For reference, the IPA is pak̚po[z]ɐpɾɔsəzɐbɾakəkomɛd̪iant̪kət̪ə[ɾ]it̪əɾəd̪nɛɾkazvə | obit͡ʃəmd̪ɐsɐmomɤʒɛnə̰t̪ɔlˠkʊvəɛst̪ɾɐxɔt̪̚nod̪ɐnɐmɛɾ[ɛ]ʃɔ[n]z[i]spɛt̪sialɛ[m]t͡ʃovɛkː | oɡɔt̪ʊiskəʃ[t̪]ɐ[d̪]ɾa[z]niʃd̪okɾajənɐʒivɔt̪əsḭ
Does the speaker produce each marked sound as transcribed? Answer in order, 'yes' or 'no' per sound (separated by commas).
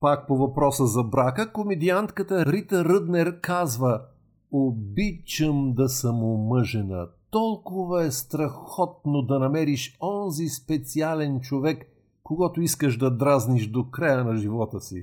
no, yes, no, yes, yes, no, no, yes, yes